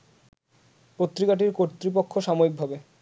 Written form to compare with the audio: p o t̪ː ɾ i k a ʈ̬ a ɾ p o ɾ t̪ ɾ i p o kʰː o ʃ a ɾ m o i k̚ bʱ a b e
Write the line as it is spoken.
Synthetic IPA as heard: p o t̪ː ɾ i k a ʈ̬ i ɾ k o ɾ t̪ ɾ i p o kʰː o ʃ a m o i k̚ bʱ a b e